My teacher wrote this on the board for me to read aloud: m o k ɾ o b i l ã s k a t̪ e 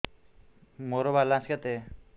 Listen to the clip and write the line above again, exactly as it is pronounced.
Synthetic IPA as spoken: m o ɾ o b a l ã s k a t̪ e